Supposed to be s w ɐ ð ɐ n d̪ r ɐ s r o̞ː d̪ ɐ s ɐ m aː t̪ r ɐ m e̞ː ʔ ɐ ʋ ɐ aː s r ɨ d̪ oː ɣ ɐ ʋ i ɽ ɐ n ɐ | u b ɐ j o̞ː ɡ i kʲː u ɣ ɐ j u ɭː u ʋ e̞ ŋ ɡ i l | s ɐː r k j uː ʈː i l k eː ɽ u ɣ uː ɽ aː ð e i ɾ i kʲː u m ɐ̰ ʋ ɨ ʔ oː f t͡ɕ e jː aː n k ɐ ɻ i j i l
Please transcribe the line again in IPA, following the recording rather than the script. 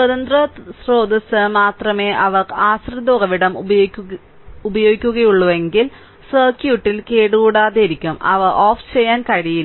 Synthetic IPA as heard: s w ɐ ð ɐ n d̪ r ɐ s r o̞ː d̪ ɐ s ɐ m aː t̪ r ɐ m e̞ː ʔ ɐ ʋ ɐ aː s r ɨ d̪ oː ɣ ɐ ʋ i ɽ ɐ m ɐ | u b ɐ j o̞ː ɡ i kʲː u ɣ ɐ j u ɭː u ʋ e̞ ŋ ɡ i l | s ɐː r k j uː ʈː i l k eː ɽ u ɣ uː ɽ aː ð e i ɾ i kʲː u m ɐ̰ ʋ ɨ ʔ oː f t͡ɕ e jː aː n k ɐ ɻ i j i l